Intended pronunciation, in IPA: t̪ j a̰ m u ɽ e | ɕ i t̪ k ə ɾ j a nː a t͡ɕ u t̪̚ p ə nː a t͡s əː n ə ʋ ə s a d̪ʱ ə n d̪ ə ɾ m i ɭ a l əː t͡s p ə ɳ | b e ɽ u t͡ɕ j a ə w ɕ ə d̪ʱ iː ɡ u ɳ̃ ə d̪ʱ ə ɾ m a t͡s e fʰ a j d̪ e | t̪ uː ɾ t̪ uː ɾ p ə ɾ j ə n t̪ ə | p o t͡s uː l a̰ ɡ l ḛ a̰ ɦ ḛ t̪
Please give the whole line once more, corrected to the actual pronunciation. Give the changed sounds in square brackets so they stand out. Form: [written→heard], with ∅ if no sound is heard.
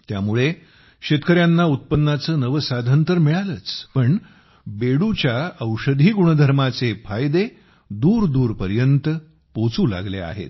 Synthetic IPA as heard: t̪ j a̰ m u [ɽ→ɭ] e | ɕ [i→e] t̪ k ə ɾ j a nː a [t͡ɕ→∅] u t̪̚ p ə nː a t͡s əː n ə ʋ ə s a d̪ʱ ə n [d̪→t̪] ə ɾ m i ɭ a l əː t͡s p ə ɳ | b e ɽ u t͡ɕ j a ə w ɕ ə d̪ʱ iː ɡ u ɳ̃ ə d̪ʱ ə ɾ m a t͡s e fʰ a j d̪ e | [t̪→d̪] uː ɾ [t̪→d̪] uː ɾ p ə ɾ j ə n t̪ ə | p o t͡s uː l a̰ ɡ l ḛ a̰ ɦ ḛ t̪